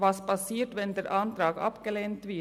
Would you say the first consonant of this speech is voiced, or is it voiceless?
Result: voiced